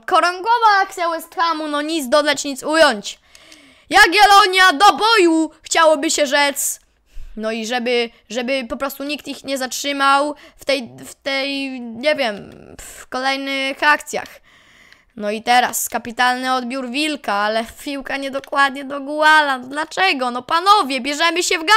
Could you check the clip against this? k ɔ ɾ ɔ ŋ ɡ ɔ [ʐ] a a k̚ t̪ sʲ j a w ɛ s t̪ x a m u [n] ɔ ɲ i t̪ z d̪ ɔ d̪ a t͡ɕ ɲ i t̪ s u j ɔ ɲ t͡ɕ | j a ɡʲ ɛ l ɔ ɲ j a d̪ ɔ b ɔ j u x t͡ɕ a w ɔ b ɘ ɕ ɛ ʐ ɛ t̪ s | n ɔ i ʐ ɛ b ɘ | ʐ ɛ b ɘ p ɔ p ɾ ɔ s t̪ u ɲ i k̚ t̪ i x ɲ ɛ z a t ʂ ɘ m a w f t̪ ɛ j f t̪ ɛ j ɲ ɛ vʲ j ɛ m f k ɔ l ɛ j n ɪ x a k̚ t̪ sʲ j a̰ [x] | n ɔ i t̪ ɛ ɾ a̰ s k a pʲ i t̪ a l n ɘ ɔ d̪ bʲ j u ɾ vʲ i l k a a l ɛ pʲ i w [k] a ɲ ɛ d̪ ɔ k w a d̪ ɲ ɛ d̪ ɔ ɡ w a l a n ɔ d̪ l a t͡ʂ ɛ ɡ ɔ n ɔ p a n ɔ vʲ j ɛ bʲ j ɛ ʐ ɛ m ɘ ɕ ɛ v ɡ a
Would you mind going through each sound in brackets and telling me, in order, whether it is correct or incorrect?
incorrect: v, correct, correct, correct

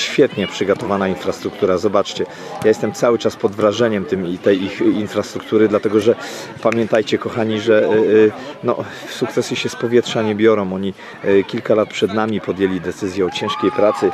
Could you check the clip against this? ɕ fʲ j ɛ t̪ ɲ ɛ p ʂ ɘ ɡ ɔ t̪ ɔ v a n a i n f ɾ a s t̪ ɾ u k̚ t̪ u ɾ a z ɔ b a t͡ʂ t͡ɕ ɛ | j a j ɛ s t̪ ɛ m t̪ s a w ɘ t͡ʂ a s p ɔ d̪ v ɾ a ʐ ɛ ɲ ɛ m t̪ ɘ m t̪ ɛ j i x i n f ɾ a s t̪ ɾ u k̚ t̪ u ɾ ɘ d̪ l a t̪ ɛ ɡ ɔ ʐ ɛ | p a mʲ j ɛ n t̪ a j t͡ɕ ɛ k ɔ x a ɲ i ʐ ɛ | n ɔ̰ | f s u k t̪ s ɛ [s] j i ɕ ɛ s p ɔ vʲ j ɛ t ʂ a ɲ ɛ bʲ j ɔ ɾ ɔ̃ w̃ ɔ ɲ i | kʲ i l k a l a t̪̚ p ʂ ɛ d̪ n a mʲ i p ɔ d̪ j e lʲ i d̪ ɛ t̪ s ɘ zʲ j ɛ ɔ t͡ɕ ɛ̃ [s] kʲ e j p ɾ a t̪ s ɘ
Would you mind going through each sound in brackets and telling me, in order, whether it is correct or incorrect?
correct, incorrect: ʂ

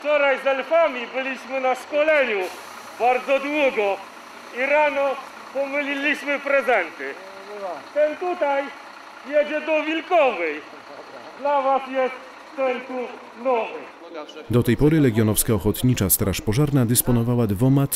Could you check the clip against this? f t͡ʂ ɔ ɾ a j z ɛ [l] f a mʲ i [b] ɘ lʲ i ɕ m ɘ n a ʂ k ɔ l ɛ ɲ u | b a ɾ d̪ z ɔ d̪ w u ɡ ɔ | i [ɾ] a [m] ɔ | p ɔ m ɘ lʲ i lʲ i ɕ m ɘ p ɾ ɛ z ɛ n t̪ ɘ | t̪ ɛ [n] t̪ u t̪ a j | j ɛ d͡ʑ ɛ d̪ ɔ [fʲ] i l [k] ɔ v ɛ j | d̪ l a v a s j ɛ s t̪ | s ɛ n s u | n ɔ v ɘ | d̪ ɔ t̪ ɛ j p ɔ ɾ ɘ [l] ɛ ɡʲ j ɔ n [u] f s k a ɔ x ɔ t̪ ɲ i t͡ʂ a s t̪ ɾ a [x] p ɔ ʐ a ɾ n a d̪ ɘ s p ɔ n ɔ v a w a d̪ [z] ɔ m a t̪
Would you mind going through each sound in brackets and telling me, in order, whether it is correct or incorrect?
correct, correct, correct, incorrect: n, correct, incorrect: vʲ, correct, correct, incorrect: ɔ, incorrect: ʂ, incorrect: v

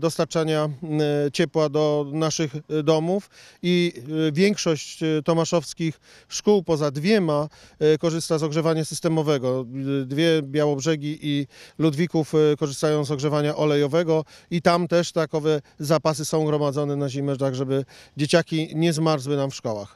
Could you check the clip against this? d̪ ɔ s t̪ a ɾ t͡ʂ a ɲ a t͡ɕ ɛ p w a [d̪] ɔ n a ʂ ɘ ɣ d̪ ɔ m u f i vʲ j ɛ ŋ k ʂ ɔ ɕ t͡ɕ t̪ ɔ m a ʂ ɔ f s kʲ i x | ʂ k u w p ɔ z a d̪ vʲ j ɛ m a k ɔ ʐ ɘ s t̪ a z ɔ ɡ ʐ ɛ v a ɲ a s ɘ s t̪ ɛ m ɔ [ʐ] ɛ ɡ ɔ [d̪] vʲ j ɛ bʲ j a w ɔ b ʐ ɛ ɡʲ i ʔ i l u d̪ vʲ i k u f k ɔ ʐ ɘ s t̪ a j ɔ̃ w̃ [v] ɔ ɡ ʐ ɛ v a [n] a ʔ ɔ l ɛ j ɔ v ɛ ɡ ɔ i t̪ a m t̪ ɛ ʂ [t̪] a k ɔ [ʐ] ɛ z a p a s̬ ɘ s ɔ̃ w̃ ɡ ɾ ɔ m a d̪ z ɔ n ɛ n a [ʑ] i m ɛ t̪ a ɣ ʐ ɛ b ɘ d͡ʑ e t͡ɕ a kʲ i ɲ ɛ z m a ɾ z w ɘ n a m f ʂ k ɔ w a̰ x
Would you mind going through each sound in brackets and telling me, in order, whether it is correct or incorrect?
correct, incorrect: v, correct, incorrect: z, incorrect: ɲ, correct, incorrect: v, correct

